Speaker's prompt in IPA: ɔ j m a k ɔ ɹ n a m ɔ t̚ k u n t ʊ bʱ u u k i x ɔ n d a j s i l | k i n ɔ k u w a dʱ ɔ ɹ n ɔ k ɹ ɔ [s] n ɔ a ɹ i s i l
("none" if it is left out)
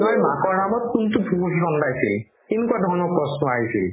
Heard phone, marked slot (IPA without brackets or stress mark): s